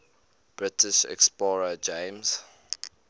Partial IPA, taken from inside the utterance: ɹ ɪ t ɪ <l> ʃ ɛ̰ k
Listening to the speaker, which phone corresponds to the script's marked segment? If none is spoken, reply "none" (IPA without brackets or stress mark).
none